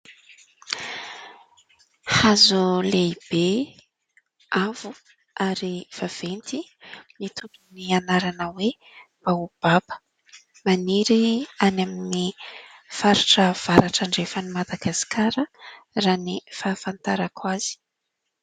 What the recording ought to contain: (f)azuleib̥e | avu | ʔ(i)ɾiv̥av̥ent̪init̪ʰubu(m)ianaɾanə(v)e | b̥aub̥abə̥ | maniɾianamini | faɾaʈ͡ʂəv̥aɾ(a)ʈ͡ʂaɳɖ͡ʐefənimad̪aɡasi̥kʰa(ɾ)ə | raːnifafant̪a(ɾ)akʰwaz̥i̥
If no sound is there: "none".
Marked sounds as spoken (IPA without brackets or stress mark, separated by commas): h, a, n, w, a, ɾ, ɾ